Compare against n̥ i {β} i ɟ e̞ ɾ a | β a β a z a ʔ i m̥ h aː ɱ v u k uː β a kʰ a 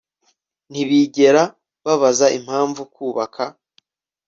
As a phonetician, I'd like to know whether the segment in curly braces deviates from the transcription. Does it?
no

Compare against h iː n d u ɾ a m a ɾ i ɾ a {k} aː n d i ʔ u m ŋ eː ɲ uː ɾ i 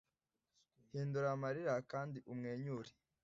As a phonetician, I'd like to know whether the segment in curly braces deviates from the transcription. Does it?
no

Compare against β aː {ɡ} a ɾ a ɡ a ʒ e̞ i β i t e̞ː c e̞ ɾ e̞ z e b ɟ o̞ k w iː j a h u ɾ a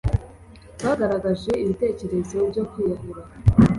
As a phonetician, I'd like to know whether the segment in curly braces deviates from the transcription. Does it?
no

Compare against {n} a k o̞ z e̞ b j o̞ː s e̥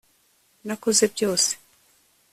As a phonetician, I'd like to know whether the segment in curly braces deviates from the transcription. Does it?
no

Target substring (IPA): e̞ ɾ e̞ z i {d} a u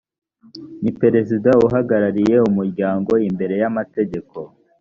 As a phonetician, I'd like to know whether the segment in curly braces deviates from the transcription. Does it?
no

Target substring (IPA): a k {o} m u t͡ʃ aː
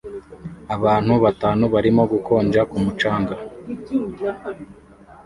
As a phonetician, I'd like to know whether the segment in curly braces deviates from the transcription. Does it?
yes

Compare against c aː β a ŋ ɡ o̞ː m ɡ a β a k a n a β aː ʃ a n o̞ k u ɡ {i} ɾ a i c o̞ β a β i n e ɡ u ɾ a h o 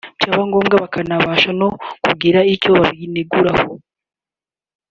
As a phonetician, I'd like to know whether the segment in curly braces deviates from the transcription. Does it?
no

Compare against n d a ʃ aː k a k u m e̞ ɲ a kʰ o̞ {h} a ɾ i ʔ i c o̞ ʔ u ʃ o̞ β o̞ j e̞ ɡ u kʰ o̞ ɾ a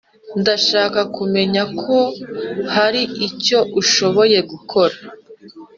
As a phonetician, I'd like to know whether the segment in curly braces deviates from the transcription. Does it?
no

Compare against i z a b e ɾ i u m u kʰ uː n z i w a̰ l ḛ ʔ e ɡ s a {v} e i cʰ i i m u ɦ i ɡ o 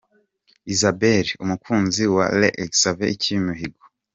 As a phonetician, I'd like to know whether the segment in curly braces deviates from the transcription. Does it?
no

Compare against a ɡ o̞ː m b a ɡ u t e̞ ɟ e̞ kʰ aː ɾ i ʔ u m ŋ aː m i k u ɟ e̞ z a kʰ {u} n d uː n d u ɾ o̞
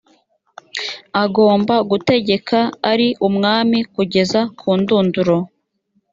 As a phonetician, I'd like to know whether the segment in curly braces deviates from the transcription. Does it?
yes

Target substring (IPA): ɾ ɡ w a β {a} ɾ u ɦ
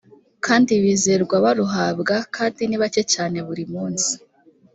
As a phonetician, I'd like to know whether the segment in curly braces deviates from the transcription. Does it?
no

